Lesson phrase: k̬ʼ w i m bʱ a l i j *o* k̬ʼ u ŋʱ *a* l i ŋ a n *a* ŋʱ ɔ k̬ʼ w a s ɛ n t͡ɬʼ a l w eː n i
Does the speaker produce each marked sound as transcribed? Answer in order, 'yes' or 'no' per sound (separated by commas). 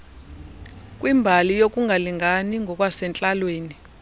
yes, yes, no